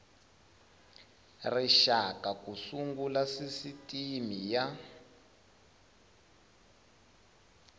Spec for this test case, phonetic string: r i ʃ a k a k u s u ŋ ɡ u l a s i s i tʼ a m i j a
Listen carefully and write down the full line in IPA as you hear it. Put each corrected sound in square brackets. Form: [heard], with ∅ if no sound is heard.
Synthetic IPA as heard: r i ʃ a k a k u s u ŋ ɡ u l a s i s i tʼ [i] m i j a